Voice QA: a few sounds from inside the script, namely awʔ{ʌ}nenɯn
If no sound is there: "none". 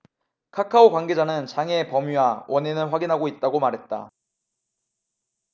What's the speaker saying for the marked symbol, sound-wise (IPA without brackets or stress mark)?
ʌ